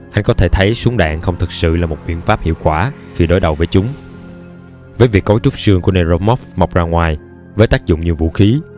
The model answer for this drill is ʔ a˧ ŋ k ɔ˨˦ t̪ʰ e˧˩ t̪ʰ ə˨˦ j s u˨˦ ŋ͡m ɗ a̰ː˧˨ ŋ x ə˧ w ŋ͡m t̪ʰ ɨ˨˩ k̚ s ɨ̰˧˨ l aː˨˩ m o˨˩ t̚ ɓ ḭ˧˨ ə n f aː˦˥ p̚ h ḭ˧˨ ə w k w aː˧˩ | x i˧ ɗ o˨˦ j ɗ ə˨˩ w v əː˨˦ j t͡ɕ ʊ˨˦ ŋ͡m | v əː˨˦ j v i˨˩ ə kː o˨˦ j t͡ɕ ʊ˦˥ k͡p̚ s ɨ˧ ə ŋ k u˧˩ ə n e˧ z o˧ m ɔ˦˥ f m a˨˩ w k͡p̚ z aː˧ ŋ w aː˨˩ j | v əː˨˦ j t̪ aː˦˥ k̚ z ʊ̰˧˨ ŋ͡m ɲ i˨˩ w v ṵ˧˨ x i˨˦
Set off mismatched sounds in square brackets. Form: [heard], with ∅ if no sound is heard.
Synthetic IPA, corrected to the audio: ʔ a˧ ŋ k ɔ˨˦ t̪ʰ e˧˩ t̪ʰ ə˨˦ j s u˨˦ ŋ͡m ɗ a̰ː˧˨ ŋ x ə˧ w ŋ͡m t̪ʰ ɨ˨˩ k̚ s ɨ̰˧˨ l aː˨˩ m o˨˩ t̚ ɓ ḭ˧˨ ə n f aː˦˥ p̚ h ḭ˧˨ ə w k w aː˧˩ | x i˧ ɗ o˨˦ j ɗ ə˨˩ w v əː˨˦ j t͡ɕ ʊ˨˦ ŋ͡m | v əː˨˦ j v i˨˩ ə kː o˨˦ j t͡ɕ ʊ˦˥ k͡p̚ s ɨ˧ ə ŋ k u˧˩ ə n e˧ z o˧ m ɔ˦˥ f m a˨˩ w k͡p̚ z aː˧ ŋ w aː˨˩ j | v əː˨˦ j t̪ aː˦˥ k̚ z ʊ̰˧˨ ŋ͡m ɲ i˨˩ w v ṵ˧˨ x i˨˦